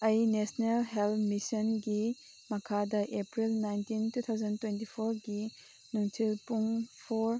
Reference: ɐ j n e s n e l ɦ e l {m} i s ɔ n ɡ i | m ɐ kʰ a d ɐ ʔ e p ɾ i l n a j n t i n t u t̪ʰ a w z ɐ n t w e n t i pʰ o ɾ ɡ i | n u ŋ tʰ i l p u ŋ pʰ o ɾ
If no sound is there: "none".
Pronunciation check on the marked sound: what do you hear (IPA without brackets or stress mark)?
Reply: m